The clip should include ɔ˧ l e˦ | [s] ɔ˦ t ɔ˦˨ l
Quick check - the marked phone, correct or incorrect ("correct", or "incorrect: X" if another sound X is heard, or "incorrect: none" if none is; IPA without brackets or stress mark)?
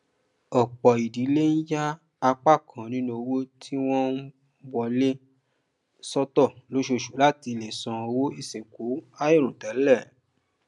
correct